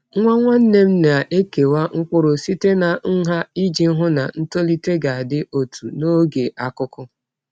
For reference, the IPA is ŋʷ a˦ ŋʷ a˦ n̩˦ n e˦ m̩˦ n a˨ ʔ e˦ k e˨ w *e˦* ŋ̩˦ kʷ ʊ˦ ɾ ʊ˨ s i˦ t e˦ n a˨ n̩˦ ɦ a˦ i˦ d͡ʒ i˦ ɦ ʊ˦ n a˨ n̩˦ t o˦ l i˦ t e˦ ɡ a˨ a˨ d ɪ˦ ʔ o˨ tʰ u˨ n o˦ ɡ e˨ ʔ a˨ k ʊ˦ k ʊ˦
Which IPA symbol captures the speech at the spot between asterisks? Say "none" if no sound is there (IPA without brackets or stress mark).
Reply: a˦